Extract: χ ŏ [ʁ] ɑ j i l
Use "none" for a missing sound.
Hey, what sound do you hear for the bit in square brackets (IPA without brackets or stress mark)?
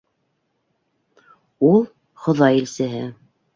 ð